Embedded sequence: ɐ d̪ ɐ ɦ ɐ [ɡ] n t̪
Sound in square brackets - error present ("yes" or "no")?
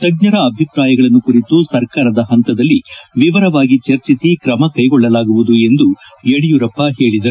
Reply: yes